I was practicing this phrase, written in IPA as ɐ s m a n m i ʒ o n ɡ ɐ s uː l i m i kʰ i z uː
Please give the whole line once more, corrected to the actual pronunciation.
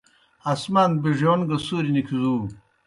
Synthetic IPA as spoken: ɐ s m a n b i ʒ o n ɡ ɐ s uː ɾ i n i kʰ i z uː

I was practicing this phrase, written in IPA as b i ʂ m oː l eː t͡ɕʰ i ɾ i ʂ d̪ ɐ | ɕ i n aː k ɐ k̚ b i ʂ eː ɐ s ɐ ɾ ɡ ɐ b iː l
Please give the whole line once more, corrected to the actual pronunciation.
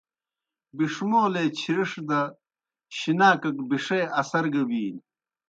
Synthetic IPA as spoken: b i ʂ m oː l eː t͡ɕʰ i ɾ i ʂ d̪ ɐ | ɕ i n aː k ɐ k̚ b i ʂ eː ɐ s ɐ ɾ ɡ ɐ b iː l

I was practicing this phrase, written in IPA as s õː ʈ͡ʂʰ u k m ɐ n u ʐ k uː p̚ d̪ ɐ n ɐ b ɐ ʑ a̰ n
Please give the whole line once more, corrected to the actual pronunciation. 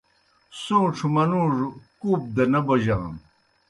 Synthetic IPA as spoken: s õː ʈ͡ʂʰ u m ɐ n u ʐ k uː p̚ d̪ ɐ n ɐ b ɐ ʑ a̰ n

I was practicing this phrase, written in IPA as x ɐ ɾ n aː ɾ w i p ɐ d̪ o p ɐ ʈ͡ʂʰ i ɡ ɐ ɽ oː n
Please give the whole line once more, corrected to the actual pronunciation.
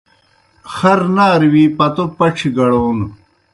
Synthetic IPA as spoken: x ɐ ɾ n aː ɾ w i p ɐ t̪ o p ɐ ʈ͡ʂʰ i ɡ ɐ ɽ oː n

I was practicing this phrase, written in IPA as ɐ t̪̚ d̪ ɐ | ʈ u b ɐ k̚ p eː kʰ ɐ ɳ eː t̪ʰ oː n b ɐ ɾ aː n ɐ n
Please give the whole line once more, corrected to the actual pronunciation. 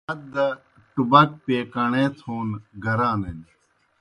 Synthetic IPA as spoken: ɐ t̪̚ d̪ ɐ | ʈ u b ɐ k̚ p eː k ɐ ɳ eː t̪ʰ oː n ɡ ɐ ɾ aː n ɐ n

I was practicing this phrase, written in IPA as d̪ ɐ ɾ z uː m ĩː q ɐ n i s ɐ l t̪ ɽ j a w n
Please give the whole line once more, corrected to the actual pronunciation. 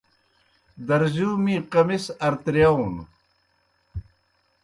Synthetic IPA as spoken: d̪ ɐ ɾ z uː m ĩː q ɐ m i s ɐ ɾ t̪ ɾ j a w n

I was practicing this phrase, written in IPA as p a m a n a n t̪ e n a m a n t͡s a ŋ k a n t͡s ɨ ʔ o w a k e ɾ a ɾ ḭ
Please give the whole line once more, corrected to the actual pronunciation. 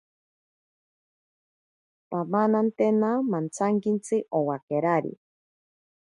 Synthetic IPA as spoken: p a m a n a n t̪ e n a m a n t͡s a ŋ k i n t͡s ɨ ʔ o w a k e ɾ a ɾ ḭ

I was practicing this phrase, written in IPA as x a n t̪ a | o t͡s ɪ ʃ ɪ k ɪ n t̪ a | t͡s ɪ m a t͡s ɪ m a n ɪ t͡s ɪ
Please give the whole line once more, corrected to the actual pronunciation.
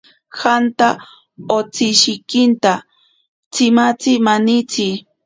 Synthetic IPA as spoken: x a n t̪ a | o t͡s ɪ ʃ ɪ k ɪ n t̪ a | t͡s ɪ m a t͡s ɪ m a n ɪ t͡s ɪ

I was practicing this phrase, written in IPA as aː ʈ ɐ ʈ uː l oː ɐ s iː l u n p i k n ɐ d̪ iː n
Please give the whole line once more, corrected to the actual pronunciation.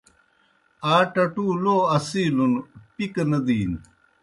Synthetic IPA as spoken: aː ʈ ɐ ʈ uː l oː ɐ s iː l u n p i k n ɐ d̪ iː n

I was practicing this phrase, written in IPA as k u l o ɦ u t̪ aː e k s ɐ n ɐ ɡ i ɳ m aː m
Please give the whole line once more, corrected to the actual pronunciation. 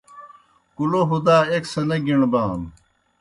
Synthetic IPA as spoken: k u l o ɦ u d̪ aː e k s ɐ n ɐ ɡ i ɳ b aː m

